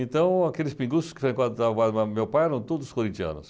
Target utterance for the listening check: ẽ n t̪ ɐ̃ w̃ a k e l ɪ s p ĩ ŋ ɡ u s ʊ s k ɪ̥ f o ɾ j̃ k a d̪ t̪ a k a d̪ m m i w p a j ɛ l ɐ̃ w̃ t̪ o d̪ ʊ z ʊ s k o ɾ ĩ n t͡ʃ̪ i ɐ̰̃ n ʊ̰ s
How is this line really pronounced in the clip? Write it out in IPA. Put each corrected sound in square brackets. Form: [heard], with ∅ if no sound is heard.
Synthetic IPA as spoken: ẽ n t̪ ɐ̃ w̃ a k e l ɪ s p ĩ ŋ ɡ u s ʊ s k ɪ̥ f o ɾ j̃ k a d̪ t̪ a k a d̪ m m [e] w p a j ɛ [ɾ] ɐ̃ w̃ t̪ o d̪ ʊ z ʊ s k o ɾ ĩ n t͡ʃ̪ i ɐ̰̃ n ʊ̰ s